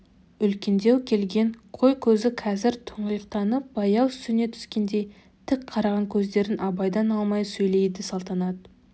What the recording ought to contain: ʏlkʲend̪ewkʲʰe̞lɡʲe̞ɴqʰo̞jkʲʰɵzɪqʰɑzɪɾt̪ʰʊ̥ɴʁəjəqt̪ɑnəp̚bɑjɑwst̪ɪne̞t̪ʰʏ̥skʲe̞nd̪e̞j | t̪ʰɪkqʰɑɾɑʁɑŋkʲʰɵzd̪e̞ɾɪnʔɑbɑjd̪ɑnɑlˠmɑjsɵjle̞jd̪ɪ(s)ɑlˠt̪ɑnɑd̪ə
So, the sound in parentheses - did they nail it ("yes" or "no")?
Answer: yes